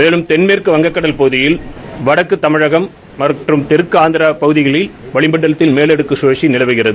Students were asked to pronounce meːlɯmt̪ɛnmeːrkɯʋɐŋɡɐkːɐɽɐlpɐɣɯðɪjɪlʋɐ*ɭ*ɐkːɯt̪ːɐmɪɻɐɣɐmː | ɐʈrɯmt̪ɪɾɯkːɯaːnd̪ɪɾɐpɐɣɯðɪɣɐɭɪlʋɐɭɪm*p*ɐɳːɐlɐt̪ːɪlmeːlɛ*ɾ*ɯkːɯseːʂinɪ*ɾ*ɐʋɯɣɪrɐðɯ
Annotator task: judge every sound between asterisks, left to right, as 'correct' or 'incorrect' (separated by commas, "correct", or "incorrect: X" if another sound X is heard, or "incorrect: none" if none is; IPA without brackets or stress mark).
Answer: incorrect: ɽ, incorrect: b, incorrect: ɽ, incorrect: l